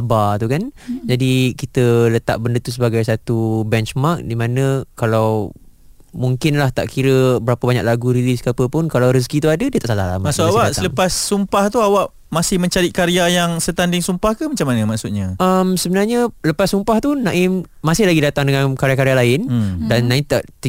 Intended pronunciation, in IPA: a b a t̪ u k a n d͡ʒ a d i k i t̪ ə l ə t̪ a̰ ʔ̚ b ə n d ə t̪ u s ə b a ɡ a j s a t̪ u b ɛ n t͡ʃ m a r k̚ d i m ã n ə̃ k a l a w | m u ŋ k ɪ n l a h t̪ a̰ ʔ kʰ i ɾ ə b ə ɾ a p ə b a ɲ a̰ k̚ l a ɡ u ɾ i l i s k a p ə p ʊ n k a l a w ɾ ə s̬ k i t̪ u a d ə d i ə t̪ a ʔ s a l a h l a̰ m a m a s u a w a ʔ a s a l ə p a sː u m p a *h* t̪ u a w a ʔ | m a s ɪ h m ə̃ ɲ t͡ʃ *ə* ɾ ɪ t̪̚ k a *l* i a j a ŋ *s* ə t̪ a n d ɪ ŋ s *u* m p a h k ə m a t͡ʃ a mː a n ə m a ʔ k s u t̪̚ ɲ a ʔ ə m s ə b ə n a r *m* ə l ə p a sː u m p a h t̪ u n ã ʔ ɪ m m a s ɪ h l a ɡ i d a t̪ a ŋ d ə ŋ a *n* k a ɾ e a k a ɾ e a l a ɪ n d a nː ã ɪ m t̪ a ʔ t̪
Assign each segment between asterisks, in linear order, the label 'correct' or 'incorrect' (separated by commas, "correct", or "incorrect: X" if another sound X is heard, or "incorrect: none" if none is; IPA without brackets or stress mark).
correct, incorrect: a, incorrect: ɾ, correct, correct, incorrect: ɲ, correct